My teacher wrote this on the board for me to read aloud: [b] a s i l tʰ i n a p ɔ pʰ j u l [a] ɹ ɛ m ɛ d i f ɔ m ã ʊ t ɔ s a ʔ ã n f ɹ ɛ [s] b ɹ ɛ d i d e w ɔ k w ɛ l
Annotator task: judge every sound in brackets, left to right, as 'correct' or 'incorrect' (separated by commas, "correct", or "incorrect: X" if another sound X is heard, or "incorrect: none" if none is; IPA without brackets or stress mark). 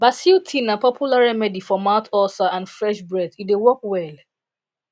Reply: correct, correct, incorrect: ʃ